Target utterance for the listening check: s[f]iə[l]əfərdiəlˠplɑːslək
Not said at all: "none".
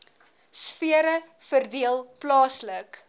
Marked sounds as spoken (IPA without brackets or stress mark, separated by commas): f, ɾ